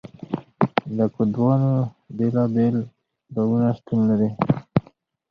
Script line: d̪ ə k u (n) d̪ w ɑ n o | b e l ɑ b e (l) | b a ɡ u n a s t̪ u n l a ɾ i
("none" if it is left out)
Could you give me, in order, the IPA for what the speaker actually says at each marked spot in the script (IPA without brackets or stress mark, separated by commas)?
none, l